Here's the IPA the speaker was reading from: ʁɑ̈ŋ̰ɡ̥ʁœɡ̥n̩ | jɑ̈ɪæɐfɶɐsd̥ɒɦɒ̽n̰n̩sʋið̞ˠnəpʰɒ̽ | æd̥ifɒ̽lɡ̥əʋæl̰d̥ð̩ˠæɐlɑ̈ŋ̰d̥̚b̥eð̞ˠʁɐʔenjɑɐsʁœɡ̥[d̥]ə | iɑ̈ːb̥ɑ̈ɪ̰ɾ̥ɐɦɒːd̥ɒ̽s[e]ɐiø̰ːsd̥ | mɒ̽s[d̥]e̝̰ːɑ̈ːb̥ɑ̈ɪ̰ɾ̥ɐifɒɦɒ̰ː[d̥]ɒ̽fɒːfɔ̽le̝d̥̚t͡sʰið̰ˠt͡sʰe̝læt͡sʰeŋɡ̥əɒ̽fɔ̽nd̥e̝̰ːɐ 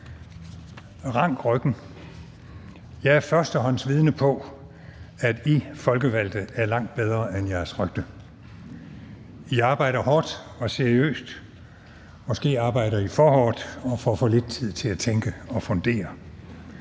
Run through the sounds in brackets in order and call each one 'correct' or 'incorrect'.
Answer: correct, correct, incorrect, correct

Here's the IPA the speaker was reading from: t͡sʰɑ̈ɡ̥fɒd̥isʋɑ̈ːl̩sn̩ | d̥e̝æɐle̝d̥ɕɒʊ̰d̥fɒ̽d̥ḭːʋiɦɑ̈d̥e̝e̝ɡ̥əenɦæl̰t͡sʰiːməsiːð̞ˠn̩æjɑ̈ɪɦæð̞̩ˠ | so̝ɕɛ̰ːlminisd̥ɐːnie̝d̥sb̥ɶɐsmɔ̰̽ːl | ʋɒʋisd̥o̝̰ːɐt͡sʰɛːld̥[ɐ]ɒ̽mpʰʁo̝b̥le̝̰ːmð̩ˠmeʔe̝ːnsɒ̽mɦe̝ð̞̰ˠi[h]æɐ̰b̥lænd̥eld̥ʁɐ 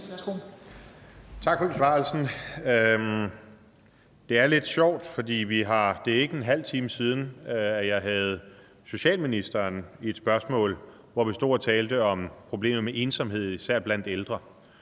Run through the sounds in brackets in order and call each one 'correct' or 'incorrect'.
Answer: incorrect, incorrect

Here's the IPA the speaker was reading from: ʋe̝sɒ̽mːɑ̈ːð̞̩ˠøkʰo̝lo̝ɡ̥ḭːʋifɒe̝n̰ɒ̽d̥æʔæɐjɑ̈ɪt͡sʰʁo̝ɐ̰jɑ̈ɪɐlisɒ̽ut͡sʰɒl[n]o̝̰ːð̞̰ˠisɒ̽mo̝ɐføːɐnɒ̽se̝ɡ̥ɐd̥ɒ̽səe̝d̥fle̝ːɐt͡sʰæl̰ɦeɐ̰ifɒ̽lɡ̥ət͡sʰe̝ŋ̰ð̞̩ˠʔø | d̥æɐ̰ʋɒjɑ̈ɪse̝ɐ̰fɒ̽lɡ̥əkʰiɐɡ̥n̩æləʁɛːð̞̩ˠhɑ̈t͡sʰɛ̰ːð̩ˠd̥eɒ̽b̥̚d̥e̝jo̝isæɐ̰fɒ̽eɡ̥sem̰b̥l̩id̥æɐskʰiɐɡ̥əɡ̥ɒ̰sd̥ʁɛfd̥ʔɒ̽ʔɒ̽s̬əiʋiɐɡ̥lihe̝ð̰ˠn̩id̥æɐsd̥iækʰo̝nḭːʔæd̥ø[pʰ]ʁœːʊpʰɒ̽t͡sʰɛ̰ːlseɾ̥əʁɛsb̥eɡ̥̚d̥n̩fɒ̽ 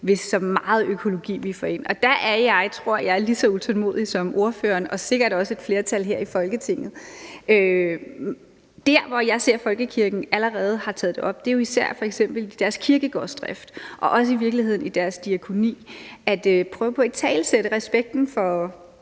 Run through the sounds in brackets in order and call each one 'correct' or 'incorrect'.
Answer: incorrect, correct

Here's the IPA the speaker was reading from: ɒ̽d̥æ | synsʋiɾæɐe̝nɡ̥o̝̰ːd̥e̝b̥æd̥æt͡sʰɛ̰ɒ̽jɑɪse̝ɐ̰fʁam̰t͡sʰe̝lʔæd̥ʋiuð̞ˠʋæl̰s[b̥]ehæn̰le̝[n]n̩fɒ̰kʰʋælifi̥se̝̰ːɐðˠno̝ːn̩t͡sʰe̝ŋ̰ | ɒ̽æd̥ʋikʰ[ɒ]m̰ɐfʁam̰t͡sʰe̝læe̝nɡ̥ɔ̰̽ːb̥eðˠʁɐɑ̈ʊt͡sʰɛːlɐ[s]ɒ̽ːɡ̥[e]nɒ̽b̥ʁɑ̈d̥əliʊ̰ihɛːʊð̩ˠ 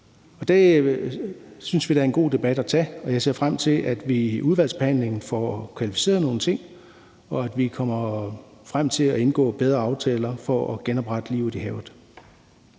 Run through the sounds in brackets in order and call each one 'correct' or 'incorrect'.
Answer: correct, incorrect, correct, incorrect, correct

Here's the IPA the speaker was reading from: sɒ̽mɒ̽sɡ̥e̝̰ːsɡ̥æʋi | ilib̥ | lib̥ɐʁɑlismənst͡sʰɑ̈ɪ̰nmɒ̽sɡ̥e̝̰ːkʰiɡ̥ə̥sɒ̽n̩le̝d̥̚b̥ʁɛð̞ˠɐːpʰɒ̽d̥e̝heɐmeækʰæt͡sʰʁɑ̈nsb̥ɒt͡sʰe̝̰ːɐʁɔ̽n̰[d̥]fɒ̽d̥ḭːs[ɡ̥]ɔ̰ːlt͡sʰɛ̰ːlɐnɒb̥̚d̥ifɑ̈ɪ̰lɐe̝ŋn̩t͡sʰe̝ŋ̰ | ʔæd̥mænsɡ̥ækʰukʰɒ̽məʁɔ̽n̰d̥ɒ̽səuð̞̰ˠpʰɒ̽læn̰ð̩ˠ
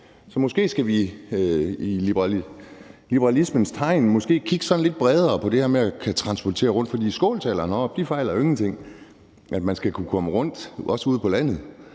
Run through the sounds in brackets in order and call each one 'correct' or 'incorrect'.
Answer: correct, correct

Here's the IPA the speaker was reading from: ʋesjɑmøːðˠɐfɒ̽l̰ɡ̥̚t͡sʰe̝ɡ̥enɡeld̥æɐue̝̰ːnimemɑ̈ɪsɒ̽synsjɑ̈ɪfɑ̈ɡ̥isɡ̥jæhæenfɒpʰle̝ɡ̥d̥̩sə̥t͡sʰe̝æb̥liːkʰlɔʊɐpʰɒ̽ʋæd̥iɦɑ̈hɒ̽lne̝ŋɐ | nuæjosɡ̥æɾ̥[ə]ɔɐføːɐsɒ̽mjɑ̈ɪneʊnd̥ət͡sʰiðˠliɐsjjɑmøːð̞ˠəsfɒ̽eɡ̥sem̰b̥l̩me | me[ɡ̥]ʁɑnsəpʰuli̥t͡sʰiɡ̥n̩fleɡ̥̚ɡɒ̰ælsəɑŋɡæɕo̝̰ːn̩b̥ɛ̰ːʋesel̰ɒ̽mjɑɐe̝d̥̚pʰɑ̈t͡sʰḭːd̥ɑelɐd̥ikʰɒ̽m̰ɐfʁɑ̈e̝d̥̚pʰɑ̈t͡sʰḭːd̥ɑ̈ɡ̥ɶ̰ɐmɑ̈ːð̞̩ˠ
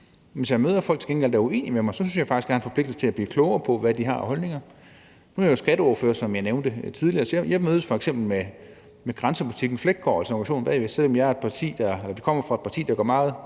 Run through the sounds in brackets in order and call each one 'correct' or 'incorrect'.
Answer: correct, correct

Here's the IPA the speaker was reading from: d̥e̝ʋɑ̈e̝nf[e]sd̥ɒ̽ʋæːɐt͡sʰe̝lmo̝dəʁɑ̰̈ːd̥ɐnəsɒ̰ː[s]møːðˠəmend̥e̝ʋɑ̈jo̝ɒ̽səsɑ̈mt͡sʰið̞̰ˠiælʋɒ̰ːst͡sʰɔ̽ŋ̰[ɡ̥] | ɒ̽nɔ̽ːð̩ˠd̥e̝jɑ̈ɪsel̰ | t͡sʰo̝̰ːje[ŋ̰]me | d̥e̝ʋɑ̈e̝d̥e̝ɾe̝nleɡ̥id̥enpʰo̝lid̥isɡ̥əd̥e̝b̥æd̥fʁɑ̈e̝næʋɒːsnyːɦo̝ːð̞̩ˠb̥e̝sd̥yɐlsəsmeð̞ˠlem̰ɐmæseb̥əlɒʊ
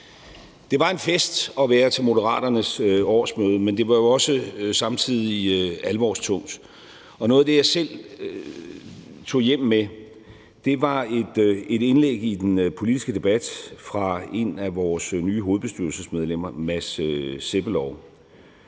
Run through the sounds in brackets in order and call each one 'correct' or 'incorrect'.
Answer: correct, correct, incorrect, incorrect

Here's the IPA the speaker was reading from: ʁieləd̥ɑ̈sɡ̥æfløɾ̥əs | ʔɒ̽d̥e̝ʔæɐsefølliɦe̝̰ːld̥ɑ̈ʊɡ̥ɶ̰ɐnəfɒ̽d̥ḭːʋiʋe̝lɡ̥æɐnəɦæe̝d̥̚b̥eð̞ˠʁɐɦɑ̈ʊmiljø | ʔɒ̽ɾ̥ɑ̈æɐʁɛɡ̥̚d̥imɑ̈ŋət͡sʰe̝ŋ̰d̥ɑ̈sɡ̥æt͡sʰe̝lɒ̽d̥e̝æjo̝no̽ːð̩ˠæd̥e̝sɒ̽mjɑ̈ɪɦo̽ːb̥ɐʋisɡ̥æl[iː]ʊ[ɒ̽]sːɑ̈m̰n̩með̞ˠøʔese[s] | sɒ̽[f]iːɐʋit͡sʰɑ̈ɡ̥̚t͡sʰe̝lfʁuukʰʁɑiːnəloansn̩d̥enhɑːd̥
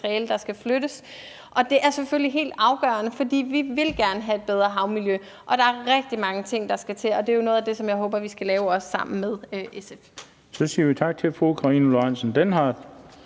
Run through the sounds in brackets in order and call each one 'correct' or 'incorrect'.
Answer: incorrect, correct, incorrect, incorrect

